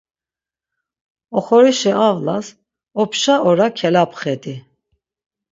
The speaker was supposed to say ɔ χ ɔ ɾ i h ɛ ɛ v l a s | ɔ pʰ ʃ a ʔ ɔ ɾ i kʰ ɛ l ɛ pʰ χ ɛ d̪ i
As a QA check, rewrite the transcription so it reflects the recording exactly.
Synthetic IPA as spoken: ɔ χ ɔ ɾ i ʃ ɛ a v l a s | ɔ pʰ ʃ a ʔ ɔ ɾ a kʰ ɛ l a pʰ χ ɛ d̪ i